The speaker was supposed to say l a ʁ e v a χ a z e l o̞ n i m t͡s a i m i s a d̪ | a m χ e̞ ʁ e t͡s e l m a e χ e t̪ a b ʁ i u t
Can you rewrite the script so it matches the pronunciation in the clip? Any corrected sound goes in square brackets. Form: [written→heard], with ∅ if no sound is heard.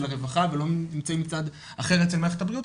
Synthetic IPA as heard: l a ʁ e v a χ a [z→v] e l o̞ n i m t͡s a i m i [s→t͡s] a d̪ | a [m→∅] χ e̞ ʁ e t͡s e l m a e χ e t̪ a b ʁ i u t

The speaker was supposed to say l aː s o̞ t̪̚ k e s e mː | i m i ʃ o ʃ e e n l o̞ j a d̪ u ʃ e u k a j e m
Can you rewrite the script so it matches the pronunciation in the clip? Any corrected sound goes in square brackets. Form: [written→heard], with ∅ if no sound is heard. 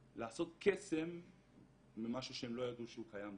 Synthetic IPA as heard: l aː s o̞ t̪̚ k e s e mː | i m [i→a] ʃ [o→u] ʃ e e [n→m] l o̞ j a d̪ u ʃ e u k a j [e→a] m

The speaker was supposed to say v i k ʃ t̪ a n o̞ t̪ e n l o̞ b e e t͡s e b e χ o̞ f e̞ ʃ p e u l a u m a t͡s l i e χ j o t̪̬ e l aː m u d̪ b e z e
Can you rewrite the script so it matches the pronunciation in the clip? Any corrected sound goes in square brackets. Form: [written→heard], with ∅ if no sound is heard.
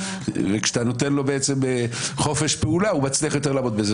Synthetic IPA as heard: v [i→e] k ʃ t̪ a n o̞ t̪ e n l o̞ b e e t͡s e [b→m] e χ o̞ f e̞ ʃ p e u l a u m a t͡s l i [e→a] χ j o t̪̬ e l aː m [u→o] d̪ b e z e

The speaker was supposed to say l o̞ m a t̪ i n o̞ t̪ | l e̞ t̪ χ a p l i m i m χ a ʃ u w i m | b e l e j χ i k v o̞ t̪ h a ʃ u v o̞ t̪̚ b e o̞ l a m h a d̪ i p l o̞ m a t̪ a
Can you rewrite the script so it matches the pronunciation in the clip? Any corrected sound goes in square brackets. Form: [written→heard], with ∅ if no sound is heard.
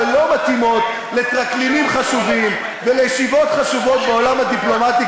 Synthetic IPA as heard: l o̞ m a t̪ i [n→m] o̞ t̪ | l e̞ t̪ [χ→ʁ] a [p→k] l i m i m χ a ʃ u [w→v] i m | [b→v] e l e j [χ→ʃ] i [k→∅] v o̞ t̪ [h→χ] a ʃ u v o̞ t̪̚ b e o̞ l a m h a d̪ i p l o̞ m a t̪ [a→i]

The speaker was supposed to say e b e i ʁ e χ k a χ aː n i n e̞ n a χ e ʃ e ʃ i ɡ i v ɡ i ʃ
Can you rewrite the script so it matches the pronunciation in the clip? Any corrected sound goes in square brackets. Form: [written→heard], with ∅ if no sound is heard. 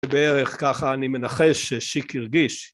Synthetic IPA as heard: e b e [i→e] ʁ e χ k a χ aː n i [n→m] e̞ n a χ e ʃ e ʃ i [ɡ→k] i [v→ʁ] ɡ i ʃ

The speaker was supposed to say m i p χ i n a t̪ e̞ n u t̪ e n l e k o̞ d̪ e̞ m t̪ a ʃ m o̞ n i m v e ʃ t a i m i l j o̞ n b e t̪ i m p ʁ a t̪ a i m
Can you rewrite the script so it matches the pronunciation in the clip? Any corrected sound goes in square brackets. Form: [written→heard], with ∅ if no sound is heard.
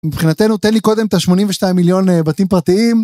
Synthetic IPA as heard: m i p χ i n a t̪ e̞ n u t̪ e n l [e→i] k o̞ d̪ e̞ m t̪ a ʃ m o̞ n i m v e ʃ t a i m i l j o̞ n b [e→a] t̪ i m p ʁ a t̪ [a→i] i m

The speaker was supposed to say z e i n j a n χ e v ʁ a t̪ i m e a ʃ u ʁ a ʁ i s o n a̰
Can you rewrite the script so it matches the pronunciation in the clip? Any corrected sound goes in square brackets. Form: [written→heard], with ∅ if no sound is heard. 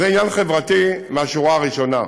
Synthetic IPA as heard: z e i n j a n χ e v ʁ a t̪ i m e a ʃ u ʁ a ʁ i [s→ʃ] o n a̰

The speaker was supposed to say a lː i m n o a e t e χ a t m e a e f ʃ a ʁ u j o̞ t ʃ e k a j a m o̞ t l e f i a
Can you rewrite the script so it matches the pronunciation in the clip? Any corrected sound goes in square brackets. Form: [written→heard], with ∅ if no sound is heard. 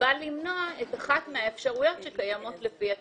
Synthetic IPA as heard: a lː i m n o a e t [e→a] χ a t m e a e f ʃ a ʁ u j o̞ t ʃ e k a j a m o̞ t l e f i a

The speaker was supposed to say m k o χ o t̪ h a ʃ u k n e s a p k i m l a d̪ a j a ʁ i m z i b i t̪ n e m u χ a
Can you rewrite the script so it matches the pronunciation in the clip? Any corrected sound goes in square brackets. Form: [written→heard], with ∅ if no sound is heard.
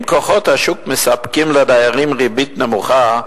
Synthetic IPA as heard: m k o χ o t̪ h a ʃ u k [n→m] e s a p k i m l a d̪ a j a ʁ i m [z→ʁ] i b i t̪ n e m u χ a

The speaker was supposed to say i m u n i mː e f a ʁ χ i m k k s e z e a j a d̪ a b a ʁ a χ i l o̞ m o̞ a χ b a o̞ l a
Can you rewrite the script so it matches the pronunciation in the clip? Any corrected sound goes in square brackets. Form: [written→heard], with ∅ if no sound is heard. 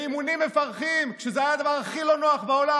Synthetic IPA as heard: i m u n i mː e f a ʁ χ i m k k [s→ʃ] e z e a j a d̪ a [b→v] a ʁ a χ i l o̞ [m→n] o̞ a χ b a o̞ l a

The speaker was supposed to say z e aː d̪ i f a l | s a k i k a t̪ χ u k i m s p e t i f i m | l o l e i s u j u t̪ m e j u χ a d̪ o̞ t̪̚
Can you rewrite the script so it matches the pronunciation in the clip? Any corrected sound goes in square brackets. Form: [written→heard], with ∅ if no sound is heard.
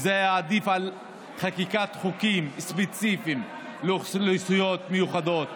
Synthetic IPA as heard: z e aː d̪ i f a l | [s→χ] a k i k a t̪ χ u k i m s p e [t→t͡s] i f i m | l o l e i s u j [u→o] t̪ m e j u χ a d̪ o̞ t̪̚

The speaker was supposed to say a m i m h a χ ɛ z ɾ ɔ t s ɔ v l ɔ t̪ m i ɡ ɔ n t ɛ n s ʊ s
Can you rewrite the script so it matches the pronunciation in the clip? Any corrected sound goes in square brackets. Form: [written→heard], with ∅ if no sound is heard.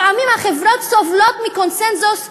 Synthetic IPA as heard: a m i m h a χ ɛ [z→v] ɾ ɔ t s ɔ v l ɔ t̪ m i [ɡ→k] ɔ n [t→s] ɛ n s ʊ s

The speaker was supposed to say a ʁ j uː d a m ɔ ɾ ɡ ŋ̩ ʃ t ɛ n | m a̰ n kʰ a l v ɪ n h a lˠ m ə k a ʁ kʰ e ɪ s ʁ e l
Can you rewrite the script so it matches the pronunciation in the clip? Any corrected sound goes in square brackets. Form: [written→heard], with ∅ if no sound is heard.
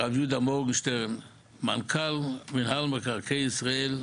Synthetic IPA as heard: a [ʁ→v] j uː d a m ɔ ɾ ɡ ŋ̩ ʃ t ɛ n | m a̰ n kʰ a l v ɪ n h a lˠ m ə k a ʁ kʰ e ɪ s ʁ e l

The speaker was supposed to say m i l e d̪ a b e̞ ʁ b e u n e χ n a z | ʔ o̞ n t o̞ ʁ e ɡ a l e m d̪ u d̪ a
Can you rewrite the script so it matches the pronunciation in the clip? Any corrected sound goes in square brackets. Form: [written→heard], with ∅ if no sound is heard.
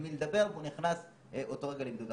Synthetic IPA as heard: m i l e d̪ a b e̞ ʁ [b→v] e u n [e→i] χ n a [z→s] | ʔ o̞ [n→∅] t o̞ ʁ e ɡ a l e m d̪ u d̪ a

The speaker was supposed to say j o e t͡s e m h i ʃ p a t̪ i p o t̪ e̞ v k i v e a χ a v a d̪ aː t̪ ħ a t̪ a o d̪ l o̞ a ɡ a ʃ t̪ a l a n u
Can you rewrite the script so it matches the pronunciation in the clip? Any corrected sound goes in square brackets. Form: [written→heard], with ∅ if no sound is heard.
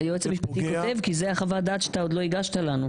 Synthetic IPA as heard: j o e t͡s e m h i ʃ p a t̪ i [p→k] o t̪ e̞ v k i [v→z] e a χ a v a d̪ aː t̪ [ħ→ʃ] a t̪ a o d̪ l o̞ [a→i] ɡ a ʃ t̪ a l a n u

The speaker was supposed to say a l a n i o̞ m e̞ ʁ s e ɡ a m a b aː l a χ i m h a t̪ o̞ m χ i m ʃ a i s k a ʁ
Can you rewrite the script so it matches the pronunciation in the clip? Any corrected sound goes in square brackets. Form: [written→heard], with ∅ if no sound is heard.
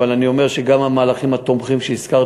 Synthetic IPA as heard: a l a n i o̞ m e̞ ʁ [s→ʃ] e ɡ a m a [b→m] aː l a χ i m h a t̪ o̞ m χ i m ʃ [a→e] i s k a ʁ

